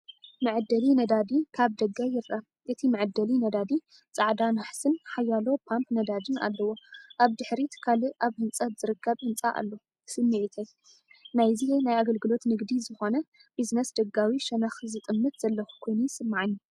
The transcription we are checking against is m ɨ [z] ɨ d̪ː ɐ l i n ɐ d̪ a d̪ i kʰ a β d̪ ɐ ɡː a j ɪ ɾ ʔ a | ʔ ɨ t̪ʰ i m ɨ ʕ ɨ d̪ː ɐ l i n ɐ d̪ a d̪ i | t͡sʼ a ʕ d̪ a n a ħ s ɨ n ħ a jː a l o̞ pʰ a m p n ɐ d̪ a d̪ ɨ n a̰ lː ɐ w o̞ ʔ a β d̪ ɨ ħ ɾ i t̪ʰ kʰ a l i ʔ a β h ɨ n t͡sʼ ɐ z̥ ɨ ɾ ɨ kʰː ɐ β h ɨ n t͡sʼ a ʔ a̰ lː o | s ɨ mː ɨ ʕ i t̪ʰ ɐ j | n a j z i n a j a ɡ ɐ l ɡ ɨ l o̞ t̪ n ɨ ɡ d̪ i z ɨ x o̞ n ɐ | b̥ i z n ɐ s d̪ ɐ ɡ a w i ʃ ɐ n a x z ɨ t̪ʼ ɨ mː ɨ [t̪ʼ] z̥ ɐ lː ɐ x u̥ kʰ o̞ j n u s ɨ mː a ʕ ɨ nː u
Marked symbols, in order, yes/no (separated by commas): no, no